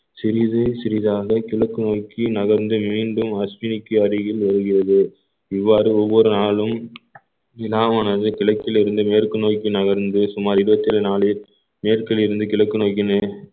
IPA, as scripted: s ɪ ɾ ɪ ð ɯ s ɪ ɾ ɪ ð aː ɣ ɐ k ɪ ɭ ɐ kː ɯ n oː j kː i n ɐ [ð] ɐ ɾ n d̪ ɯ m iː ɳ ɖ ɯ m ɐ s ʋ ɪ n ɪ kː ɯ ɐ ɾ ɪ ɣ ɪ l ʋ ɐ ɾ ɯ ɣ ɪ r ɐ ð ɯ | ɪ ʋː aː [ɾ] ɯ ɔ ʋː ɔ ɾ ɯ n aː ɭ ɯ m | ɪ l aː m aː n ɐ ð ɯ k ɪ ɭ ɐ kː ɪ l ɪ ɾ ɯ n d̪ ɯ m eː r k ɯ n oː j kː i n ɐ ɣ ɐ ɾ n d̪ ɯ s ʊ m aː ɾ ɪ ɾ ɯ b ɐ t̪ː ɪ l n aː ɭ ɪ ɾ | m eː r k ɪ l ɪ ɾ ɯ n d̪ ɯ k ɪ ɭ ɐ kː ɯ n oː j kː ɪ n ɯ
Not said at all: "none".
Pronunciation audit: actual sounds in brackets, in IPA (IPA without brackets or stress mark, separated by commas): ɣ, ɾ